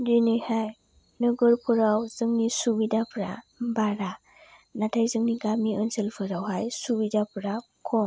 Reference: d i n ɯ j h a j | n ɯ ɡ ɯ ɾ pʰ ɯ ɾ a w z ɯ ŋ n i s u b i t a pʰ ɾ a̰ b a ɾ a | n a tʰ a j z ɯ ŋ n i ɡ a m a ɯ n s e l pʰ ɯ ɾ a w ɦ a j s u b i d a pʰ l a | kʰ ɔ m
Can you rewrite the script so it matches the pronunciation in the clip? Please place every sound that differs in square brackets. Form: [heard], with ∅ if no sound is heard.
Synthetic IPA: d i n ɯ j h a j | n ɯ ɡ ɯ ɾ pʰ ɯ ɾ a w z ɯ ŋ n i s u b i [d] a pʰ ɾ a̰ b a ɾ a | n a tʰ a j z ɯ ŋ n i ɡ a m [i] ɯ n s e l pʰ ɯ ɾ a w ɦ a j s u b i d a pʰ [ɾ] a | kʰ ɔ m